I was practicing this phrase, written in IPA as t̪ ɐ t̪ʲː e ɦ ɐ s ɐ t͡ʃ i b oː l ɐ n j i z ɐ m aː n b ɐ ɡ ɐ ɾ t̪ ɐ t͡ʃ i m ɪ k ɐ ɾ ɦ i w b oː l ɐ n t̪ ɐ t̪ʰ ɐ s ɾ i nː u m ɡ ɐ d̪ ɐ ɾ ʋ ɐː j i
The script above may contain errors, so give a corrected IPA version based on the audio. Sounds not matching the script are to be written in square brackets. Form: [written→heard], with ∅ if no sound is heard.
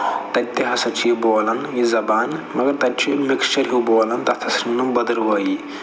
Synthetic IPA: t̪ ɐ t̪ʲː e ɦ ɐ s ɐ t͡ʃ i b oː l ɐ n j i z ɐ [m→b] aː n [b→m] ɐ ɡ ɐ ɾ t̪ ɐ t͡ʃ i m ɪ k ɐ ɾ ɦ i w b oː l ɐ n t̪ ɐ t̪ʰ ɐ s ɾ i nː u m [ɡ→b] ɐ d̪ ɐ ɾ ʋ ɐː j i

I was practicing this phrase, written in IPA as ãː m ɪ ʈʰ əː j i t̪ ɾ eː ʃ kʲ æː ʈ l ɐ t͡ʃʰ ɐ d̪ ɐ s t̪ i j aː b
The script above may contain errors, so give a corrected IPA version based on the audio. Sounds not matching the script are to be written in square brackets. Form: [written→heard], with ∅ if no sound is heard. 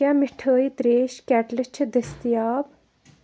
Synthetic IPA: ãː m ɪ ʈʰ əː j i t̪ ɾ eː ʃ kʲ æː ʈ l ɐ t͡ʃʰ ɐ d̪ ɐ s t̪ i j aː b

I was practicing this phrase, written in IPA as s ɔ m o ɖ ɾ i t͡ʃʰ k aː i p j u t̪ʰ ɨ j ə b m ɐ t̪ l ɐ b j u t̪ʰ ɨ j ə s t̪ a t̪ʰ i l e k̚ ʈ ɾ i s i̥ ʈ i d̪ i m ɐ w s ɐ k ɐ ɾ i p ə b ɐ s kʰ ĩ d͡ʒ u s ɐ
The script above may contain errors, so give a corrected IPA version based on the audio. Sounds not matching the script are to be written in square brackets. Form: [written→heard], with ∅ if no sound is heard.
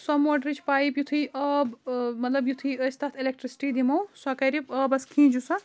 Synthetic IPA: s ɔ m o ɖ ɾ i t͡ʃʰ [k→p] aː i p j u t̪ʰ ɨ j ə b m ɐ t̪ l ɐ b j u t̪ʰ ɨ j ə s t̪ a t̪ʰ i l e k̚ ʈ ɾ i s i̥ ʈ i d̪ i m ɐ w s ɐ k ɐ ɾ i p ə b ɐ s kʰ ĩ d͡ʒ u s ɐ

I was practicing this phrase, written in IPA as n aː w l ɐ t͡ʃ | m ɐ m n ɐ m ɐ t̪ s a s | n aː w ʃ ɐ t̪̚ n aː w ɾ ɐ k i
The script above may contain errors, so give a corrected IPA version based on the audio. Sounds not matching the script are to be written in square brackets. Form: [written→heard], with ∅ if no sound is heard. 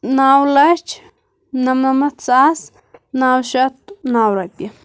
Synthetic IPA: n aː w l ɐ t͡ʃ | [m→n] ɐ m n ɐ m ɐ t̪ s a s | n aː w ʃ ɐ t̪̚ n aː w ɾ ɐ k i

